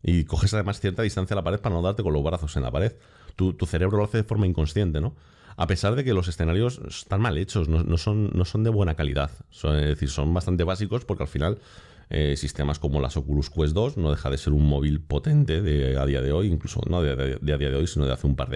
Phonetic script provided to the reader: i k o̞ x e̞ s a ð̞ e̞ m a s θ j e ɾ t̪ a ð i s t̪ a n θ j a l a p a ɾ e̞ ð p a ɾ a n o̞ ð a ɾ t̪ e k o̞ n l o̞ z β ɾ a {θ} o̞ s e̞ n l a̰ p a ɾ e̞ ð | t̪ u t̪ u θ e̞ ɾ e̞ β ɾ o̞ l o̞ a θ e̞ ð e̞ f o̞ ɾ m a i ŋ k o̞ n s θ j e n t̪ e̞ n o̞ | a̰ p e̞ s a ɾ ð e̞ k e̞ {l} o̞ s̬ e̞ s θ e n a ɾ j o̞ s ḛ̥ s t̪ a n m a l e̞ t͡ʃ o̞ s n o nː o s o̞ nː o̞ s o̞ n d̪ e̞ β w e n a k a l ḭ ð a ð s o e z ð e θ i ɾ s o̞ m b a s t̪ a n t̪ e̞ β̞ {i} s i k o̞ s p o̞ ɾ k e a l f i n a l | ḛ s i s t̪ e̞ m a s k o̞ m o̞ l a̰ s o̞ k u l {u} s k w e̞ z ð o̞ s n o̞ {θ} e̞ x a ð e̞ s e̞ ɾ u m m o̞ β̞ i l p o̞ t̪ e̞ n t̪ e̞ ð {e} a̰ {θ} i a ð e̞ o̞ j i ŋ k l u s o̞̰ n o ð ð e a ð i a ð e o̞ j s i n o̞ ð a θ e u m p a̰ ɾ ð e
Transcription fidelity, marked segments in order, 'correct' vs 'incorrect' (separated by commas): correct, correct, incorrect, correct, incorrect, correct, incorrect